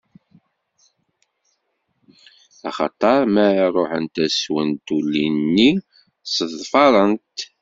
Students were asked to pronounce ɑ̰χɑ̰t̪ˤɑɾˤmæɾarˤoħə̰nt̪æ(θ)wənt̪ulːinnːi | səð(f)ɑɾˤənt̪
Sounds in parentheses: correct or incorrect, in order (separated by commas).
incorrect, correct